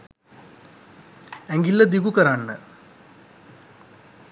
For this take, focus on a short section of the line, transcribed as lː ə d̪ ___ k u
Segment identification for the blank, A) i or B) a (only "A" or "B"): A